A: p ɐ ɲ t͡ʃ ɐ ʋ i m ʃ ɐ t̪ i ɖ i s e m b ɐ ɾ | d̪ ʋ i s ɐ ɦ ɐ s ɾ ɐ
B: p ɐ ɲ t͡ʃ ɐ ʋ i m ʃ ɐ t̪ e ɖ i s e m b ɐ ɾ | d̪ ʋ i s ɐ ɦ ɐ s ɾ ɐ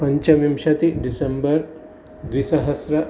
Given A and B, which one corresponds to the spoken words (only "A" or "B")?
A